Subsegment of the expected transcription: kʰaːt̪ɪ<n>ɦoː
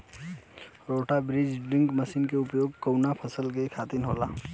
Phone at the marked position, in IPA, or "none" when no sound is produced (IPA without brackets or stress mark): n